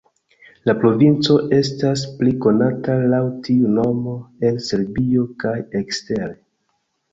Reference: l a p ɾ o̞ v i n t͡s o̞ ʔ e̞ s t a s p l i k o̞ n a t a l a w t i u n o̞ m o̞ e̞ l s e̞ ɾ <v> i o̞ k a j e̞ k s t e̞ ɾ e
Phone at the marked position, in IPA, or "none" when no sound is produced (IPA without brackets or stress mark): b